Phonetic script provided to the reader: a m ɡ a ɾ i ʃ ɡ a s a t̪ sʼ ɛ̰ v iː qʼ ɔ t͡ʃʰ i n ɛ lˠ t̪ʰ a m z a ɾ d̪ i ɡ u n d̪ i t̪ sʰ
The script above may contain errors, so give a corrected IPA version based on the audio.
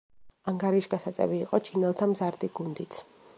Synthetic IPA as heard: a ŋ ɡ a ɾ i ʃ ɡ a s a t̪ sʼ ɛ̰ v iː qʼ ɔ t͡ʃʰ i n ɛ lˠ t̪ʰ a m z a ɾ d̪ i ɡ u n d̪ i t̪ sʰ